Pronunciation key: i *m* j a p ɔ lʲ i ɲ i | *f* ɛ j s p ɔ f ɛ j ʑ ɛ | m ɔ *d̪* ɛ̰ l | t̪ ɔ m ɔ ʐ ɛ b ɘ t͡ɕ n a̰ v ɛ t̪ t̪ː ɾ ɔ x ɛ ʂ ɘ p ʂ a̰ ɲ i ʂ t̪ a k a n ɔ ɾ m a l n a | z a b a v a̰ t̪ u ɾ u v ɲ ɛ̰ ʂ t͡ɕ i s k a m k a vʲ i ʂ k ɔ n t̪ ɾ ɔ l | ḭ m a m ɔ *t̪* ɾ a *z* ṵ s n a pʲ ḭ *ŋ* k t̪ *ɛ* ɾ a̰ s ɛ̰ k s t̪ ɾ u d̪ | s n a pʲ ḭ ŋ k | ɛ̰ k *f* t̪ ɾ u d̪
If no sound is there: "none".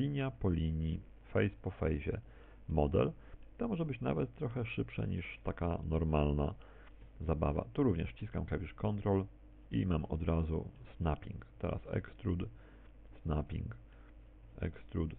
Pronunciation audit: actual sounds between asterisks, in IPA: ɲ, f, d̪, d̪, z, ŋ, ɛ, s

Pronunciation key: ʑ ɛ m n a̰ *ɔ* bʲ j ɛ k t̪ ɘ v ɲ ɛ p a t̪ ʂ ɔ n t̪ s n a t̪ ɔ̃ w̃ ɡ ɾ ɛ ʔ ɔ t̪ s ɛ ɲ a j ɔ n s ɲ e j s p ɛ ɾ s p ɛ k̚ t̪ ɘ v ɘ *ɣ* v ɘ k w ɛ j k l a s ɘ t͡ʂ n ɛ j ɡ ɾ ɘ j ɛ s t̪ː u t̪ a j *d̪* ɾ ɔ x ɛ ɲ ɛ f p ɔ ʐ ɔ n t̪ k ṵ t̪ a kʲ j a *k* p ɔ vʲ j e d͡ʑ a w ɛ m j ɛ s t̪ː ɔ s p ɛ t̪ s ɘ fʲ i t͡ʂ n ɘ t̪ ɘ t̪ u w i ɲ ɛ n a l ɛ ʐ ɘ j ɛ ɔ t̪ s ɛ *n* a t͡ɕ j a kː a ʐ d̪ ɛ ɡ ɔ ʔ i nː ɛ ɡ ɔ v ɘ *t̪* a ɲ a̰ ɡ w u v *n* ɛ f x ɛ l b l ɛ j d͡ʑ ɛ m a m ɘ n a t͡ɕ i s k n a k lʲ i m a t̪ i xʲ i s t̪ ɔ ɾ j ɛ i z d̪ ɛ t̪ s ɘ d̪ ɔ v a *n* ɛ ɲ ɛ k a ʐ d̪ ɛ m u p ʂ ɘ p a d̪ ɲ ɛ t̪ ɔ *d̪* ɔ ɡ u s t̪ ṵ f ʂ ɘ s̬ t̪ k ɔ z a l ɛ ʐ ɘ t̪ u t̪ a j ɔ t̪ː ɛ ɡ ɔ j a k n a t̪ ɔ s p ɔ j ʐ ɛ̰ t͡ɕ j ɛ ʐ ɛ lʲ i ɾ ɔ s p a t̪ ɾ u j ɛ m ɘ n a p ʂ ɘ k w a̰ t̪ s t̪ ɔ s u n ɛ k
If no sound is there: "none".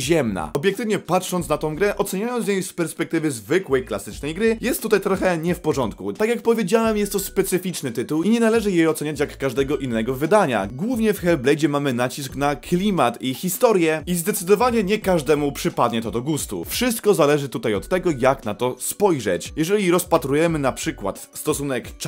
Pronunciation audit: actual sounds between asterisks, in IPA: ɔ, z, t̪, k, ɲ, d̪, ɲ, ɲ, d̪

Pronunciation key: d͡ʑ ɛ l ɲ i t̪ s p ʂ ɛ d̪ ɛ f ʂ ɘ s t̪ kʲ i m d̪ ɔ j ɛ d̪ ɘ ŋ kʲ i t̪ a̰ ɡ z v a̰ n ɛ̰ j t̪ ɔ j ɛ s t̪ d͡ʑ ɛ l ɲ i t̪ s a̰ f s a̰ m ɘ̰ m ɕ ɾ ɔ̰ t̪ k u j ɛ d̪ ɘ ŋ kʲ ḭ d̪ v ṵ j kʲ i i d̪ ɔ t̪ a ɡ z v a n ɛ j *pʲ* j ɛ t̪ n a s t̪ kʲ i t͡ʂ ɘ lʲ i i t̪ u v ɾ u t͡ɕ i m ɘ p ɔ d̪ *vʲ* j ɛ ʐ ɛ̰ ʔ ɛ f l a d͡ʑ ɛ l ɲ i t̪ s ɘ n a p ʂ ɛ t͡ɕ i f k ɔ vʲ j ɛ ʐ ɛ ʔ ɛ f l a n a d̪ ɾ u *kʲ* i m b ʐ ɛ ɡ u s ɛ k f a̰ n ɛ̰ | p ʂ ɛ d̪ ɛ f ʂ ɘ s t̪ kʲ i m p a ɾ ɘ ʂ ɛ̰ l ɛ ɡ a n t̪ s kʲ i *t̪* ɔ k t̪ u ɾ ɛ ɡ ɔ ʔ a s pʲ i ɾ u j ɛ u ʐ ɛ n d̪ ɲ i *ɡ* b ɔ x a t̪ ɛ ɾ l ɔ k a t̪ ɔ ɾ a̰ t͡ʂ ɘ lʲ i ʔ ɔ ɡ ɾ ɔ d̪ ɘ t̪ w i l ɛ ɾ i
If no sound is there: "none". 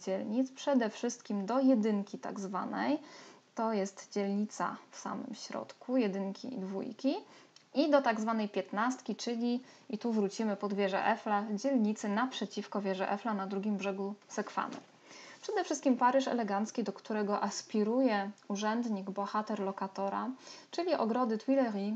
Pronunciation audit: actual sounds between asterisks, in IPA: pʲ, vʲ, ɡʲ, d̪, ɡ

